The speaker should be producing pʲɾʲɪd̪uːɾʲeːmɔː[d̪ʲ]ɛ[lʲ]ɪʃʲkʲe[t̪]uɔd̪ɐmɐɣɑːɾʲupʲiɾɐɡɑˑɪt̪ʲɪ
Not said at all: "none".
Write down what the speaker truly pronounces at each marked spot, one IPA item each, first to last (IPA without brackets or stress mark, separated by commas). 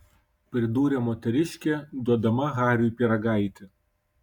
t̪ʲ, ɾʲ, d̪